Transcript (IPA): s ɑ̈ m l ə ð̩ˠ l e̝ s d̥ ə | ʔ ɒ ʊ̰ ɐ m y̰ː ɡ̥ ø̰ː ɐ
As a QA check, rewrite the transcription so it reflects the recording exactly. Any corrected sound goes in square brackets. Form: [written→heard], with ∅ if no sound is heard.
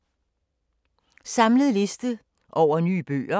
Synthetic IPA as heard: s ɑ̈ m l ə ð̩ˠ l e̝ s d̥ ə | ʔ ɒ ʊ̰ ɐ [m→n] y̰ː [ɡ̥→b̥] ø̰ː ɐ

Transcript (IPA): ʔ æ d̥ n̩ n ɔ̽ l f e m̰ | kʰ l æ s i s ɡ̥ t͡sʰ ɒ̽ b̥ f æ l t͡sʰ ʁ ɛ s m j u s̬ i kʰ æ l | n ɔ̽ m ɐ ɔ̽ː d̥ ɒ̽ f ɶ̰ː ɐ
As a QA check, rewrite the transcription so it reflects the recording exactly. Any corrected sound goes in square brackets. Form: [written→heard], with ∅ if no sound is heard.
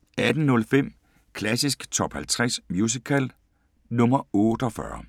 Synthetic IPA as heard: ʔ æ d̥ n̩ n ɔ̽ l f e m̰ | kʰ l æ s i s ɡ̥ t͡sʰ ɒ̽ b̥ [f→h] æ l t͡sʰ ʁ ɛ s m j u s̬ i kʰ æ l | n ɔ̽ m ɐ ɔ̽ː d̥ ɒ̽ f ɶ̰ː ɐ

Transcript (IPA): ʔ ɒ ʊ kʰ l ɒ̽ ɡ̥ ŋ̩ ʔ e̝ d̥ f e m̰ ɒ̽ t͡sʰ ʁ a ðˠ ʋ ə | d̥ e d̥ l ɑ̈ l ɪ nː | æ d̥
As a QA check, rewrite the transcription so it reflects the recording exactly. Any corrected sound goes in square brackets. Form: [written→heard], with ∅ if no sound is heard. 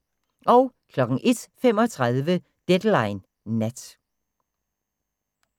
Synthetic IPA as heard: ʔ ɒ ʊ kʰ l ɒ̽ ɡ̥ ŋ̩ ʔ e̝ d̥ f e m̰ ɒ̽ t͡sʰ ʁ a ðˠ ʋ ə | d̥ e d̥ l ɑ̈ [l→∅] ɪ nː | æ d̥

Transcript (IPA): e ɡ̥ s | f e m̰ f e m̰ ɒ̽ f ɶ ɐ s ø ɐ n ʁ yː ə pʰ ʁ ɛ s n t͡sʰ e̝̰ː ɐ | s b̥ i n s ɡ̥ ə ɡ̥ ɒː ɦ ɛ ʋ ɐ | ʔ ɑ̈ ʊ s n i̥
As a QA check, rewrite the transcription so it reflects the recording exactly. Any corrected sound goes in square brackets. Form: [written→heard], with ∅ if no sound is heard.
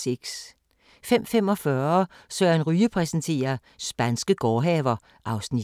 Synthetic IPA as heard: e ɡ̥ s | f e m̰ f e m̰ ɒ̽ f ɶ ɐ s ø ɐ n ʁ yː ə pʰ ʁ ɛ s n t͡sʰ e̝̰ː ɐ | s b̥ [i→æ] n s ɡ̥ ə ɡ̥ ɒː ɦ ɛ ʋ ɐ | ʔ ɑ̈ ʊ s n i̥

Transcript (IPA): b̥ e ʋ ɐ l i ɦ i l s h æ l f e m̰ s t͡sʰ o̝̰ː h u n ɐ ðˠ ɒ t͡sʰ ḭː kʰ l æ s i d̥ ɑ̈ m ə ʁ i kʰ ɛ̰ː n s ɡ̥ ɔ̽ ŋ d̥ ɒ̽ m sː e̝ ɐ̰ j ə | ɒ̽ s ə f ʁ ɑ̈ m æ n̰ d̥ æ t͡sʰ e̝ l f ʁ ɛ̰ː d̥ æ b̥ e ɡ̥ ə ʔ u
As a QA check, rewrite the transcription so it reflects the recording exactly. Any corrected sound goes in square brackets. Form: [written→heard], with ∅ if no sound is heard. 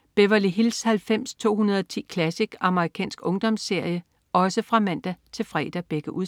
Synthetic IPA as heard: b̥ e ʋ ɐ l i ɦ i l s h æ l f e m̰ s t͡sʰ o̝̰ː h u n ɐ ðˠ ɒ t͡sʰ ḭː kʰ l æ s i [d̥→ɡ̥] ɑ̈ m ə ʁ i kʰ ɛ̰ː n s ɡ̥ ɔ̽ ŋ d̥ ɒ̽ m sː e̝ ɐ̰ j ə | ɒ̽ s ə f ʁ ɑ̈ m æ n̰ d̥ æ t͡sʰ e̝ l f ʁ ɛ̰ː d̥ æ b̥ e ɡ̥ ə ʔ u

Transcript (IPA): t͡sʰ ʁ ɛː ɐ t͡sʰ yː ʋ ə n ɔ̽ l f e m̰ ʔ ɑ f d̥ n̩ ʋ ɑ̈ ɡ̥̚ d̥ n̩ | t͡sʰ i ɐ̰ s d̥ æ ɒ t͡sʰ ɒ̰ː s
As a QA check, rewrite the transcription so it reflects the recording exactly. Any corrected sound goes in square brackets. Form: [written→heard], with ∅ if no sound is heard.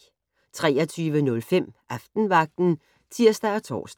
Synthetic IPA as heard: t͡sʰ ʁ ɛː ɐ t͡sʰ yː ʋ ə n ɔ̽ l f e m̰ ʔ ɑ f d̥ n̩ ʋ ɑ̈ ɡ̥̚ d̥ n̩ | t͡sʰ i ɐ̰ s d̥ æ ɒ t͡sʰ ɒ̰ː s

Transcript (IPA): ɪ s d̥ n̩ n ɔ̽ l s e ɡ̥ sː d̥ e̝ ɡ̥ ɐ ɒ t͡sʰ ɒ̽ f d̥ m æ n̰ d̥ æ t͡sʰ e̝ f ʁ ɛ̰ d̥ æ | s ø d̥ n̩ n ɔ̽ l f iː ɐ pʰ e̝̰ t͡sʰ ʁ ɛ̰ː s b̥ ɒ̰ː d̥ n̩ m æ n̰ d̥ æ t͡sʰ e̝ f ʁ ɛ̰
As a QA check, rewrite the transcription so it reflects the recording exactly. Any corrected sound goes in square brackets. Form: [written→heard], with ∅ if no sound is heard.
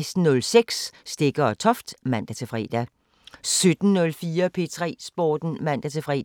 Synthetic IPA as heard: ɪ s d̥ n̩ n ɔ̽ l s e ɡ̥ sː d̥ e̝ ɡ̥ ɐ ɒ t͡sʰ ɒ̽ f d̥ m æ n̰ d̥ æ t͡sʰ e̝ f ʁ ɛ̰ d̥ æ | s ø d̥ n̩ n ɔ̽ l f iː ɐ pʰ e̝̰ t͡sʰ ʁ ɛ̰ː s b̥ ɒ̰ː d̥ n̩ m æ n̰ d̥ æ t͡sʰ e̝ f ʁ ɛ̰

